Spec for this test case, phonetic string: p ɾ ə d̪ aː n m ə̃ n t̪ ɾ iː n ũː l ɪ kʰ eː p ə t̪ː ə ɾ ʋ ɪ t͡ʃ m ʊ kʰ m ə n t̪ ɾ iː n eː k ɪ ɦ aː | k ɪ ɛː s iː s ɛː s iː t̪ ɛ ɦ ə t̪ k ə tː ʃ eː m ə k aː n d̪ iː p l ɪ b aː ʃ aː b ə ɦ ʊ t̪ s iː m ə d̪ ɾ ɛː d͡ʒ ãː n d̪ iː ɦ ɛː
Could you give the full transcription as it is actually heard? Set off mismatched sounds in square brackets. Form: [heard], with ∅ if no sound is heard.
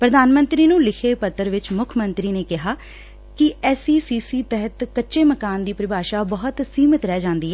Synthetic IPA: p ɾ ə d̪ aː n m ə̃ n t̪ ɾ iː n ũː l ɪ kʰ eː p ə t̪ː ə ɾ ʋ ɪ t͡ʃ m ʊ kʰ m ə n t̪ ɾ iː n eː k ɪ ɦ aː | k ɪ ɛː s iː s [iː] s iː t̪ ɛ ɦ ə t̪ k ə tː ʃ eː m ə k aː n d̪ iː p [ɾ] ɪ b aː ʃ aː b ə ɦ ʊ t̪ s iː m ə [t̪] ɾ ɛː d͡ʒ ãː n d̪ iː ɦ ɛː

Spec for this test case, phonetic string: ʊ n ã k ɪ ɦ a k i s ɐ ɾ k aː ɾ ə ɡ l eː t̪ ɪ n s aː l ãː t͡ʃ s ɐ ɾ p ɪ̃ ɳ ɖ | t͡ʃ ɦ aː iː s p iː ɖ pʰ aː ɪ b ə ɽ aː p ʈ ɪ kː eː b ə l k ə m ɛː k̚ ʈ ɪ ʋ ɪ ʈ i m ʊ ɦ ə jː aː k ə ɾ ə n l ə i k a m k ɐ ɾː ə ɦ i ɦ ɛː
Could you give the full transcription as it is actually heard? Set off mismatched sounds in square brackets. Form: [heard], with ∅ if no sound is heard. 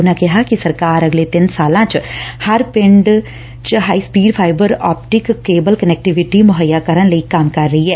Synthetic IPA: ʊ n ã k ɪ ɦ a k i s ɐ ɾ k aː ɾ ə ɡ l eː t̪ ɪ n s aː l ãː t͡ʃ [h] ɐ ɾ p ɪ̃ ɳ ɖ | t͡ʃ ɦ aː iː s p iː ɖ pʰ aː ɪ b ə [ɾ] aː p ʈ ɪ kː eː b ə l k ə [n] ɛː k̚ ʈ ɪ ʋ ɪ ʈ i m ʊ ɦ ə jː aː k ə ɾ ə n l ə i k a m k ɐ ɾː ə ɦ i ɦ ɛː

